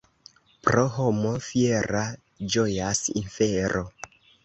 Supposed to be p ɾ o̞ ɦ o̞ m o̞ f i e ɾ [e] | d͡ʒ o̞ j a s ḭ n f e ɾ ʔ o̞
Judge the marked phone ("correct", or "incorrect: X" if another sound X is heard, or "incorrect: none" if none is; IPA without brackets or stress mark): incorrect: a